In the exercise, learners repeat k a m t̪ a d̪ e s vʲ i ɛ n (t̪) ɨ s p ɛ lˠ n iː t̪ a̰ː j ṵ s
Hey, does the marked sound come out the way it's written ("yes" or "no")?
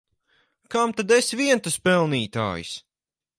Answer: yes